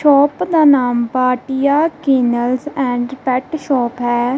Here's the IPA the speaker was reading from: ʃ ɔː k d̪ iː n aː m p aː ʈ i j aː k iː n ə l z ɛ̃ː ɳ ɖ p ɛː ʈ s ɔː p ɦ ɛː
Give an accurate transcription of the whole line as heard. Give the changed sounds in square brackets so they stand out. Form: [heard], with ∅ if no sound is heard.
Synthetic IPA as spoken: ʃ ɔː [p] d̪ [aː] n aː m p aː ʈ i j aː k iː n ə l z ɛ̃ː ɳ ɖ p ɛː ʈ [ʃ] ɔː p ɦ ɛː